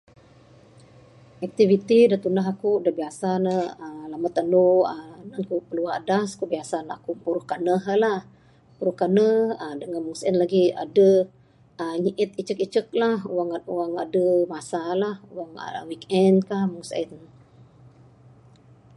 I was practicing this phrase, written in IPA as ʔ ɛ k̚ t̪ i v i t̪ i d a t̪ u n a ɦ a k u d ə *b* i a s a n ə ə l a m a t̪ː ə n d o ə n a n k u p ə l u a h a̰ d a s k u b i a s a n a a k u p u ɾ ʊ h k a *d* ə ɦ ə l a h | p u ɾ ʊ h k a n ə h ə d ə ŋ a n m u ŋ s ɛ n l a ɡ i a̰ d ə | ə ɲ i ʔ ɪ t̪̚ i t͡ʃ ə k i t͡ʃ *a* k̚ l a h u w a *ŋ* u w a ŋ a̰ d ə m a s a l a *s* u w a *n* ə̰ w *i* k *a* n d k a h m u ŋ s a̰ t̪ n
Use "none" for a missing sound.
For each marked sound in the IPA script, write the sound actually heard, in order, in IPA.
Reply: b, n, ə, ŋ, h, ŋ, i, ɛ

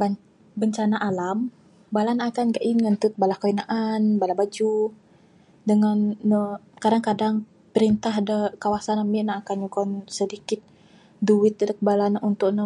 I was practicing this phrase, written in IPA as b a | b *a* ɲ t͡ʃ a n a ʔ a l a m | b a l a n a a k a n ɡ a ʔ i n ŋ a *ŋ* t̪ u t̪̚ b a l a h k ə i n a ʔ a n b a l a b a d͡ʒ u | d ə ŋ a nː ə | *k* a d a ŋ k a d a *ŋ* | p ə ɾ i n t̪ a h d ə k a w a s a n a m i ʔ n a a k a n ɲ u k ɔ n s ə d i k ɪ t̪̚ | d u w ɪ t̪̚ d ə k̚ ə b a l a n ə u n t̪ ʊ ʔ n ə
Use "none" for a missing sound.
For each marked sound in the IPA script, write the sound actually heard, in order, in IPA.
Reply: ə, n, k, ŋ

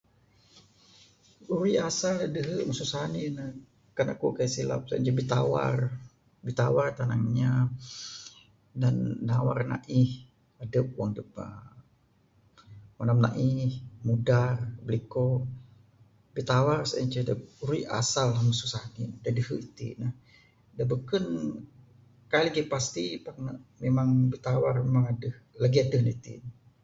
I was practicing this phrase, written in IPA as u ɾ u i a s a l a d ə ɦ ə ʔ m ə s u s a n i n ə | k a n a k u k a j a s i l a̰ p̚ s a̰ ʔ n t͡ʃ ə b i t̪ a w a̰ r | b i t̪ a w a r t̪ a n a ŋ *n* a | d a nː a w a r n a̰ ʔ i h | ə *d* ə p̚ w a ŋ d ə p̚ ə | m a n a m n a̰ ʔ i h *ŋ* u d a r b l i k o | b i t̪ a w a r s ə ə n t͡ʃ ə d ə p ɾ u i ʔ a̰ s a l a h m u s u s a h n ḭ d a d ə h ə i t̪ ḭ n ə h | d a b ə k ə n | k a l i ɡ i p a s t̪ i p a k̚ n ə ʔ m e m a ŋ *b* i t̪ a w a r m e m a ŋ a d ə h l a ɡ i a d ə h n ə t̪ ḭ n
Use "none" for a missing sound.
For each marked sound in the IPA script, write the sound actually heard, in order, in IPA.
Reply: ɲ, d, m, b

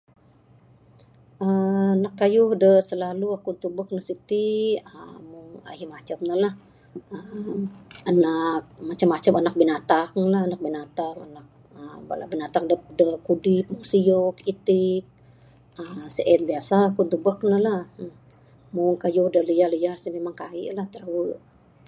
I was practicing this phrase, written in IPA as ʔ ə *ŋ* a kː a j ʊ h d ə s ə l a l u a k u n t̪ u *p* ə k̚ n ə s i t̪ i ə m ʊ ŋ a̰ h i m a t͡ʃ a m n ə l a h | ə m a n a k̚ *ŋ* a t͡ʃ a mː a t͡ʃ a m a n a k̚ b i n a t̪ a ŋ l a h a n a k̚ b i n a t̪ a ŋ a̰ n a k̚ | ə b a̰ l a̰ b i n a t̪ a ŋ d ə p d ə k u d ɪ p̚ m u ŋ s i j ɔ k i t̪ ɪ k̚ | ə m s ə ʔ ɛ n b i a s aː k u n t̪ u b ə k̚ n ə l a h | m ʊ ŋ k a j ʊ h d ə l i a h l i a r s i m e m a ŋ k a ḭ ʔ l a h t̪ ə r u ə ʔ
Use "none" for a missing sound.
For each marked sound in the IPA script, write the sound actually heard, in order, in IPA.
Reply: n, b, m

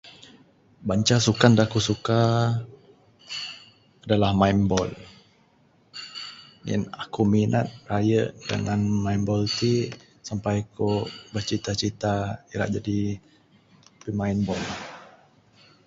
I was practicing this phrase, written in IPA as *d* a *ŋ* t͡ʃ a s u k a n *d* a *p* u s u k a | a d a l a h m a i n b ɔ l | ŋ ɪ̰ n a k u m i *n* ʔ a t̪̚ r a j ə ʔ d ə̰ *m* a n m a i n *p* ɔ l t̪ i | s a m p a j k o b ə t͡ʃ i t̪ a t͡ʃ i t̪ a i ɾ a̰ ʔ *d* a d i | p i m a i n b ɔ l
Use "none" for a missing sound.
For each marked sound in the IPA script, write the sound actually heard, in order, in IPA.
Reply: b, ɲ, d, k, n, ŋ, b, d͡ʒ

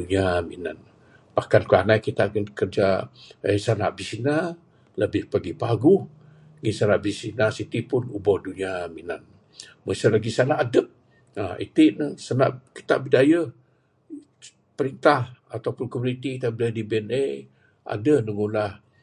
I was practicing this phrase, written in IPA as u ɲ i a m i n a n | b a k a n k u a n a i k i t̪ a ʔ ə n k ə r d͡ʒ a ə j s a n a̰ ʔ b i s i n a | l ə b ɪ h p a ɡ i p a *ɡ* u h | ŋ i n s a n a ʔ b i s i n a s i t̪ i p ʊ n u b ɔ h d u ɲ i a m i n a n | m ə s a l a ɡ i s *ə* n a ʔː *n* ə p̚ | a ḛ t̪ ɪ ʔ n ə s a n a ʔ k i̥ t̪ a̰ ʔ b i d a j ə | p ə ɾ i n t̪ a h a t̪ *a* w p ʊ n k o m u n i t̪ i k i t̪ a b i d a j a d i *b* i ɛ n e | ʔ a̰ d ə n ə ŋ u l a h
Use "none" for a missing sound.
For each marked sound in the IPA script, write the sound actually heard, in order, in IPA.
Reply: ɡ, a, d, a, b

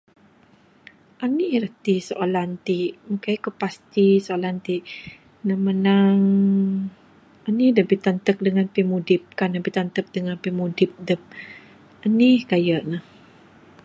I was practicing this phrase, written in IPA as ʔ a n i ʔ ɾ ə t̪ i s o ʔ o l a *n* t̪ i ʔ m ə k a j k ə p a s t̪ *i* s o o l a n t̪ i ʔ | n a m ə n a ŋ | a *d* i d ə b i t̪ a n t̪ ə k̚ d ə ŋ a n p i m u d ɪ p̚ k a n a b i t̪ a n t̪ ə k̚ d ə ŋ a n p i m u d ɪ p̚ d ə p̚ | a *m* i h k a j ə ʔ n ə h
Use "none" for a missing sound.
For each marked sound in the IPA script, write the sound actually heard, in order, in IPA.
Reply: n, i, n, n

